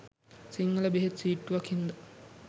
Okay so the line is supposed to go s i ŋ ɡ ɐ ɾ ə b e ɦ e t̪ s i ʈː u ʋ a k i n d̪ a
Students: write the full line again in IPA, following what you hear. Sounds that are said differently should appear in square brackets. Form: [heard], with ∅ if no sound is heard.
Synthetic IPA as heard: s i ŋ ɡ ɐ [l] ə b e ɦ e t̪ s [iː] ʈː u ʋ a k i n d̪ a

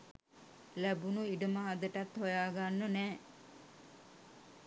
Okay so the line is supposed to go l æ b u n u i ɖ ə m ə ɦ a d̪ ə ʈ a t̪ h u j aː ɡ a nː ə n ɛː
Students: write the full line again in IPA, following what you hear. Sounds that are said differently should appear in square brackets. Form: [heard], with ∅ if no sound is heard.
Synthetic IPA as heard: l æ b u n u i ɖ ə m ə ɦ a d̪ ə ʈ a t̪ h [o] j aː ɡ a nː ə n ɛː

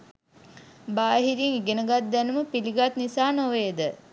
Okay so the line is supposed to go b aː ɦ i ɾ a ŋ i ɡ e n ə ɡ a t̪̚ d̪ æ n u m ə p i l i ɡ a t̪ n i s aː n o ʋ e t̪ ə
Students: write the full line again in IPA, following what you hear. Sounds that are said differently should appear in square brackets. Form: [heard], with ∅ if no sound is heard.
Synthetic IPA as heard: b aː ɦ i ɾ [i] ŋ i ɡ e n ə ɡ a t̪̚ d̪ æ n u m ə p i l i ɡ a t̪ n i s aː n o ʋ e [d̪] ə

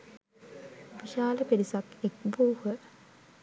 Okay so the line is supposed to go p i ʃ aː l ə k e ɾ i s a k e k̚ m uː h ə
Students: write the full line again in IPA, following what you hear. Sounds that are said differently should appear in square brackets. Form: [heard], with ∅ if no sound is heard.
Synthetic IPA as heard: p i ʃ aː l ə [p] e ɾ i s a k e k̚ [b] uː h ə

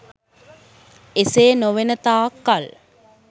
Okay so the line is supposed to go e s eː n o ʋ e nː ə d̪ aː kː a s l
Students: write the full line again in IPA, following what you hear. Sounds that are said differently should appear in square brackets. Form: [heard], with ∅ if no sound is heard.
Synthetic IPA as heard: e s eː n o ʋ e [n] ə [t̪] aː kː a [∅] l

